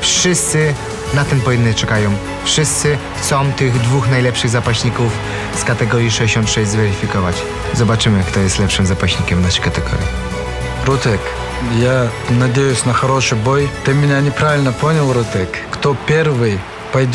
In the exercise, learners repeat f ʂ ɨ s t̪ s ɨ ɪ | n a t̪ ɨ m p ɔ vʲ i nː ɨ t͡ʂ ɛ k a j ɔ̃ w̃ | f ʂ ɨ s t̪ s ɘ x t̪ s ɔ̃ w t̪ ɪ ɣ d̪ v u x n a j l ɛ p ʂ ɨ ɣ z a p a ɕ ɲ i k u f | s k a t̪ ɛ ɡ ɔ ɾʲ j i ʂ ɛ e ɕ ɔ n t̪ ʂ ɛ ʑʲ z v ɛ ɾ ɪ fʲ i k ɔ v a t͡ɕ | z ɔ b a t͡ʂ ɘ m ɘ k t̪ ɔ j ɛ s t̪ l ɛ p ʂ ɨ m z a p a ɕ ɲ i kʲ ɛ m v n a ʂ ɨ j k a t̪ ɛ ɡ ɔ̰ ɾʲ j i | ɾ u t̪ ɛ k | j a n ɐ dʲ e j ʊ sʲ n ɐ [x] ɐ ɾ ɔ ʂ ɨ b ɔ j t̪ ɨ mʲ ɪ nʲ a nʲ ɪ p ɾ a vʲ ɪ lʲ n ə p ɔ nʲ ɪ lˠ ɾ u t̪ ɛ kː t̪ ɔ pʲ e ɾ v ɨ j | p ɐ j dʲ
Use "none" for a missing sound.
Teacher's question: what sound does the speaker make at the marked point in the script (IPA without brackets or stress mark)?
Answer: x